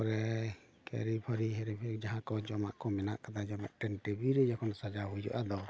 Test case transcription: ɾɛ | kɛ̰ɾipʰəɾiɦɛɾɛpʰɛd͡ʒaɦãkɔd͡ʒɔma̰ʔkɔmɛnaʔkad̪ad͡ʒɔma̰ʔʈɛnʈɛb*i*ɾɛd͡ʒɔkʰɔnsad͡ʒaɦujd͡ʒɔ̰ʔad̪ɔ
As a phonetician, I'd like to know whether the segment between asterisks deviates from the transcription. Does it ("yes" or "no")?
no